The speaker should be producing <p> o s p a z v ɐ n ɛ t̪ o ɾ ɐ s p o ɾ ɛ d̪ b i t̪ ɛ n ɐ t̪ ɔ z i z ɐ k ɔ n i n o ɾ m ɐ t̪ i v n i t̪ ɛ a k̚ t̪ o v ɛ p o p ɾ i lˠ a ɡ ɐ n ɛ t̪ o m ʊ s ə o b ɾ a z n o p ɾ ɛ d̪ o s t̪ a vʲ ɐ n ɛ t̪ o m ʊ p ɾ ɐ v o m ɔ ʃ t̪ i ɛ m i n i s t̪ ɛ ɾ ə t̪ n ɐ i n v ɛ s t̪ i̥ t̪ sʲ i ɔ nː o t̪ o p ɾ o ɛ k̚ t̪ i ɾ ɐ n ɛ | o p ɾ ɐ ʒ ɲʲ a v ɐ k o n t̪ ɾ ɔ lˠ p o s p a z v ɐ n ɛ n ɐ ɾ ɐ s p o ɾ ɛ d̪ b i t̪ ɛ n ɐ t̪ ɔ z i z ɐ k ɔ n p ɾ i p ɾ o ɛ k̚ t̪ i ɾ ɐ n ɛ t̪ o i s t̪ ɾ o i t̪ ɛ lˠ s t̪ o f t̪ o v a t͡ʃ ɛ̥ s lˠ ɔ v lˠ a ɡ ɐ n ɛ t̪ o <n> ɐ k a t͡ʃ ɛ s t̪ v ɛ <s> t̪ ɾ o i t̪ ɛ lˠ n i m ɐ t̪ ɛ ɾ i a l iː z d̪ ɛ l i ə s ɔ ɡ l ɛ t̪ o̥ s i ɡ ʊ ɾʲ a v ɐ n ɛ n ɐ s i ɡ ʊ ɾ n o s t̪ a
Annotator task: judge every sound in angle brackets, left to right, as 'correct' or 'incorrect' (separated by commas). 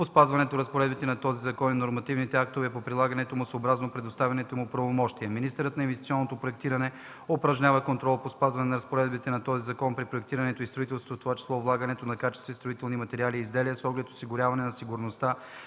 correct, correct, correct